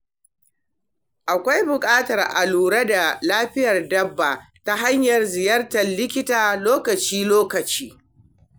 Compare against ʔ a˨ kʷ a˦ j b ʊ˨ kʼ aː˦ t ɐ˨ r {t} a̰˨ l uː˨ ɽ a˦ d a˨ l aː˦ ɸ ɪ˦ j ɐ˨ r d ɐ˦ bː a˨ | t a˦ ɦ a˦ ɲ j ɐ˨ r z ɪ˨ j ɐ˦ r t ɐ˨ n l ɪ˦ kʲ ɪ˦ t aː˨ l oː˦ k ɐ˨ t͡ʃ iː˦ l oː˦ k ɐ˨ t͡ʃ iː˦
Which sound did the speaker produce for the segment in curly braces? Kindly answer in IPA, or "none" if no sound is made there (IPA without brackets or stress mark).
ʔ